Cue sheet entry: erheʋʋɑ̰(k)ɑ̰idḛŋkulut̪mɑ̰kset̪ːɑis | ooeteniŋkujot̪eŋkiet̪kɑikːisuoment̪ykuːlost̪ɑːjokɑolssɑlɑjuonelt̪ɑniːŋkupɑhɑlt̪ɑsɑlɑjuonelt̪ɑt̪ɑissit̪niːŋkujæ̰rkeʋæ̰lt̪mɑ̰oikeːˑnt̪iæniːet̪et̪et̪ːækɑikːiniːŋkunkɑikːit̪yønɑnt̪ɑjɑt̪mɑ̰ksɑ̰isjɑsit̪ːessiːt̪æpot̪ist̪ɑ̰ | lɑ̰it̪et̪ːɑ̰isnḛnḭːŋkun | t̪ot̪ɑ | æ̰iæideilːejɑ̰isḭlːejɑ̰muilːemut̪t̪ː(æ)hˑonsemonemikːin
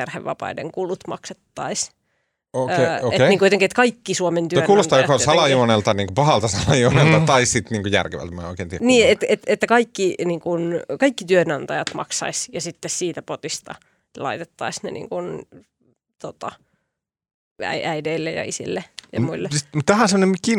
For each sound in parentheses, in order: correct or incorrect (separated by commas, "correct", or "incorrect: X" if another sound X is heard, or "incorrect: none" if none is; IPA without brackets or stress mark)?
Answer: incorrect: p, correct